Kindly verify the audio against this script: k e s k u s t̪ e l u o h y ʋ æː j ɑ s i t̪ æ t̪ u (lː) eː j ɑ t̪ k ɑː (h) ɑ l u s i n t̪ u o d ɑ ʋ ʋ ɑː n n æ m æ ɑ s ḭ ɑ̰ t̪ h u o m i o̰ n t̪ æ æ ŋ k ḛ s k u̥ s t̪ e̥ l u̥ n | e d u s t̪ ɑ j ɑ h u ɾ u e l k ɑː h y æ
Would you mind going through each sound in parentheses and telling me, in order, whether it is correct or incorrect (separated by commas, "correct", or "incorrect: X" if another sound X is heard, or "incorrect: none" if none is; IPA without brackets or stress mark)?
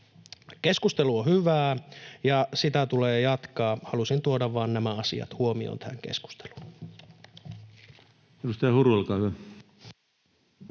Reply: incorrect: l, correct